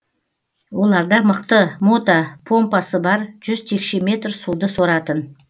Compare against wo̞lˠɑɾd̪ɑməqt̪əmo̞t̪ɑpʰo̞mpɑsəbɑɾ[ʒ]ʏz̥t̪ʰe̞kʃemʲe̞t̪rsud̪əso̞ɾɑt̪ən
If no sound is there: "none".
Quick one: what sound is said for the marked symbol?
ʒ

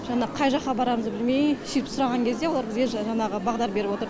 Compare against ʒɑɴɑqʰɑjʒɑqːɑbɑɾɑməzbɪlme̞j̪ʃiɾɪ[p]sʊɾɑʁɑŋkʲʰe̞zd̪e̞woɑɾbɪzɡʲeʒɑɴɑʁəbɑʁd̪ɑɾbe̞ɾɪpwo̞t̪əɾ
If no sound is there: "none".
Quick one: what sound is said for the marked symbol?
p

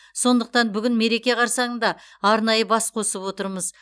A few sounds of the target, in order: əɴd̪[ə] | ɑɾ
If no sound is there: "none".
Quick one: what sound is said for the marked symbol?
ɑ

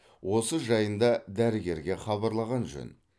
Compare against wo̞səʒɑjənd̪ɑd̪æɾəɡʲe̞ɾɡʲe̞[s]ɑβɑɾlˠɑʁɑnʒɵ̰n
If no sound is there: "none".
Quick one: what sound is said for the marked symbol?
χ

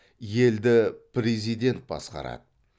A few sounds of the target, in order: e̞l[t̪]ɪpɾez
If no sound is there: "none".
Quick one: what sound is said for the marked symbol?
d̪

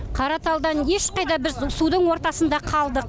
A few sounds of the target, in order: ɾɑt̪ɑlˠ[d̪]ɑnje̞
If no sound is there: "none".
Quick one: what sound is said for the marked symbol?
d̪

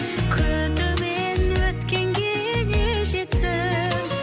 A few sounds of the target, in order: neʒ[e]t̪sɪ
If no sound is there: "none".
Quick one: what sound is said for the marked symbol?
e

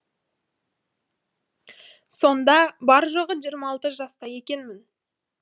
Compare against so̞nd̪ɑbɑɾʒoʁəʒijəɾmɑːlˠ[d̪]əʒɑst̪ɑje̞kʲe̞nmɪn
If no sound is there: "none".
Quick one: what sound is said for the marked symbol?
t̪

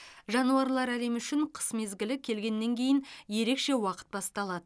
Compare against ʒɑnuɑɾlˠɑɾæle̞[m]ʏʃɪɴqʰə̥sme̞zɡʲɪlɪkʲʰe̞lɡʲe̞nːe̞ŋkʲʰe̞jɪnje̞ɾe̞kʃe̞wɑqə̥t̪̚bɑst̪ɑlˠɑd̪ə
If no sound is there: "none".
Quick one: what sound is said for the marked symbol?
m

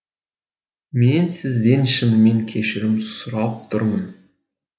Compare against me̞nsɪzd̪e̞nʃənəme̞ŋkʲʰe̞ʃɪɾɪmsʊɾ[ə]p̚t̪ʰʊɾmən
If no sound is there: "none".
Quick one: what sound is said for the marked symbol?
ɑ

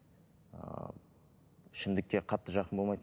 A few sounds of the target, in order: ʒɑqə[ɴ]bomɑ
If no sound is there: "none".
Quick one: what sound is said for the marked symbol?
n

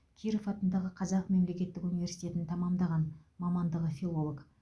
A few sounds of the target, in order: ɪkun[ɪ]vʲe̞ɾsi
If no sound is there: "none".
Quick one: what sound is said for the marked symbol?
i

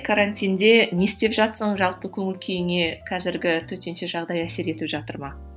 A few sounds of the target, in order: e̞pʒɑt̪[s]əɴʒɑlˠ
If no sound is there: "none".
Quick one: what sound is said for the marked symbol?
s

